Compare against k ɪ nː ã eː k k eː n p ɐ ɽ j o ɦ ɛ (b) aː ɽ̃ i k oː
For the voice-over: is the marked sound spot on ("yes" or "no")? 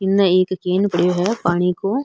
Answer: no